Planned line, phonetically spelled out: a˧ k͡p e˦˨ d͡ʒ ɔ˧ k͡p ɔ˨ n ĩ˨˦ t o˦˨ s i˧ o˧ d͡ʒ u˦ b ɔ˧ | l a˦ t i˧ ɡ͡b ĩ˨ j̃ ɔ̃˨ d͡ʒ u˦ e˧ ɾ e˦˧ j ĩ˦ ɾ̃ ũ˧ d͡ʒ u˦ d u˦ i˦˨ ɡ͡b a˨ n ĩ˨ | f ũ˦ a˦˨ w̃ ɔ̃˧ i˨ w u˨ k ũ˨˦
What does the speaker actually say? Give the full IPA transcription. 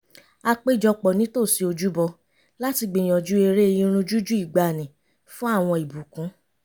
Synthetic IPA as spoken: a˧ k͡p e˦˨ d͡ʒ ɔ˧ k͡p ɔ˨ n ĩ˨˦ t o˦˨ s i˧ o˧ d͡ʒ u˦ b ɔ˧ | l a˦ t i˧ ɡ͡b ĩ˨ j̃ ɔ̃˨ d͡ʒ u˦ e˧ ɾ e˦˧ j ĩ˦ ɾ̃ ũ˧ d͡ʒ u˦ d͡ʒ u˦ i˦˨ ɡ͡b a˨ n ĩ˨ | f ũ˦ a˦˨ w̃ ɔ̃˧ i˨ b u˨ k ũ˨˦